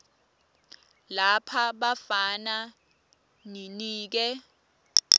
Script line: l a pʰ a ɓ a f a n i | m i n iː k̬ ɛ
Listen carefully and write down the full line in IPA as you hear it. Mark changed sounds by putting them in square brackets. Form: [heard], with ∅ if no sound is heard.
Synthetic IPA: l a pʰ a ɓ a f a n [a] | [n] i n iː k̬ ɛ